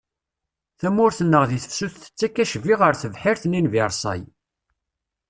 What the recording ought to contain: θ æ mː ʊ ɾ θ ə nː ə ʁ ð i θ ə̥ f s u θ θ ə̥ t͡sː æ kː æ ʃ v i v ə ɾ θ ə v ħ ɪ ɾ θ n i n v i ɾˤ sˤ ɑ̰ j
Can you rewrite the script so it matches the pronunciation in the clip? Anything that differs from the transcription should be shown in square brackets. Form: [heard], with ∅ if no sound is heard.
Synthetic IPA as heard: θ æ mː ʊ ɾ θ ə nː ə ʁ ð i θ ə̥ f s u θ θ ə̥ t͡sː æ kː æ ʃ v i [ʁ] ə ɾ θ ə v ħ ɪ ɾ θ n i n v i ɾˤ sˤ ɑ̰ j